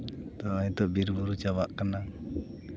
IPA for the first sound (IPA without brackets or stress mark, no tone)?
t̪